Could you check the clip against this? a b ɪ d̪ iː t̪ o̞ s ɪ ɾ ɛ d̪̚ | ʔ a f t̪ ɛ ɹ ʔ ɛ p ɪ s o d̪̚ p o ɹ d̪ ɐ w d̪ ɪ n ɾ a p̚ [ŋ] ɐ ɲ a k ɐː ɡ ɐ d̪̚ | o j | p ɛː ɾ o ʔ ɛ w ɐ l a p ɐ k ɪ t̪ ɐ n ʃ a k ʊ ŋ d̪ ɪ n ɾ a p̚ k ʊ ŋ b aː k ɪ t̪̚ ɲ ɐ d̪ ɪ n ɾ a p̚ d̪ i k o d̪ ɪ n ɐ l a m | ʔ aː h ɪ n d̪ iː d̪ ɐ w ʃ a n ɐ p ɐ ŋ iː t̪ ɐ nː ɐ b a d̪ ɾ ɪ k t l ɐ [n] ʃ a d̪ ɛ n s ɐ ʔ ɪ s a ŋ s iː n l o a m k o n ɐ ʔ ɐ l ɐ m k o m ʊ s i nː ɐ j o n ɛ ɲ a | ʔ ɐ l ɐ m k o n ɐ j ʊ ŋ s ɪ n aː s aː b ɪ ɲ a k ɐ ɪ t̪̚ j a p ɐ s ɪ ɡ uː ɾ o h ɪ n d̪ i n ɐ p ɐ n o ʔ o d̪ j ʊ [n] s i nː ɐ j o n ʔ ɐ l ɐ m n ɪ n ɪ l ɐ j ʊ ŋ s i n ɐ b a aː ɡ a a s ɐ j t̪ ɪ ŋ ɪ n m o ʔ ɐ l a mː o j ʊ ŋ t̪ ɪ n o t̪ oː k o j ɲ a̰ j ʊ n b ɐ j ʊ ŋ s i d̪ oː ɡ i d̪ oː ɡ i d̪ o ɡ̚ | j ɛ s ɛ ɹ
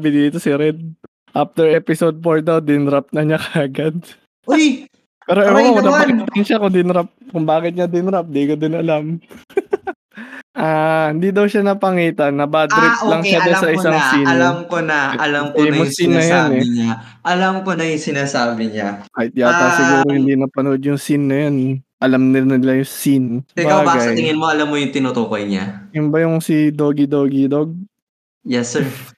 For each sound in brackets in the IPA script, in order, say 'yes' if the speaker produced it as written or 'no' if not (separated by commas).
no, no, no